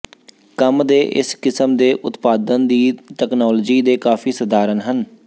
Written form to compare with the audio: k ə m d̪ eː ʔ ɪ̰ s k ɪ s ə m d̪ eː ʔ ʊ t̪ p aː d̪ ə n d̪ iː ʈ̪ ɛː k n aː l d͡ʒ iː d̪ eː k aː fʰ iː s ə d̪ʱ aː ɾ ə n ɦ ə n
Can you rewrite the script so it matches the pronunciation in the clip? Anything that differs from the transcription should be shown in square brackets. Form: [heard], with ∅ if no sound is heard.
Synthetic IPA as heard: k ə m d̪ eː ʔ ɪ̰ s k ɪ s ə m d̪ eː ʔ ʊ t̪ p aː d̪ ə n d̪ iː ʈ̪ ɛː k n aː l d͡ʒ iː d̪ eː k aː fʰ iː s ə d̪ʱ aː ɾ ə n ɦ ə n